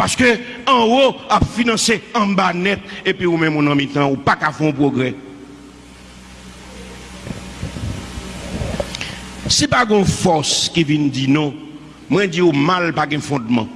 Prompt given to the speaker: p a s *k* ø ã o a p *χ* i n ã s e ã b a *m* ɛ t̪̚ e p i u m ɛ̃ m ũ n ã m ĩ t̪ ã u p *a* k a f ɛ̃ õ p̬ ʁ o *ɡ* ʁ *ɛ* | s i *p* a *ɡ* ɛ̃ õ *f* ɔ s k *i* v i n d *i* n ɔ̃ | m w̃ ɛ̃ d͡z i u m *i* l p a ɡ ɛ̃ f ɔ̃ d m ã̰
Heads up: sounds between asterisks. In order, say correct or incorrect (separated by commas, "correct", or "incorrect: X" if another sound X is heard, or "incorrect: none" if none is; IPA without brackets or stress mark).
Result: correct, incorrect: f, incorrect: n, correct, correct, correct, correct, correct, correct, correct, correct, incorrect: a